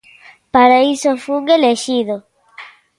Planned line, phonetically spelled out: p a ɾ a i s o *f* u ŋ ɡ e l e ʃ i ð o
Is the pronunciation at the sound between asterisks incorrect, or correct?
correct